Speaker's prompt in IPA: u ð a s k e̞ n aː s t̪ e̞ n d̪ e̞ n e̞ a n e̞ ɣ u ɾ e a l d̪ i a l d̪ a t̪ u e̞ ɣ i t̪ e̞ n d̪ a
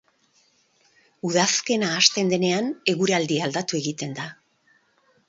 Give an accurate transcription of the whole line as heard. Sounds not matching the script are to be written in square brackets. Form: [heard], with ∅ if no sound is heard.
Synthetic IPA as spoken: u ð a s k e̞ n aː s t̪ e̞ n d̪ e̞ n e̞ a n e̞ ɣ u ɾ e a l d̪ i a l d̪ a t̪ u e̞ ɣ i t̪ e̞ n d̪ a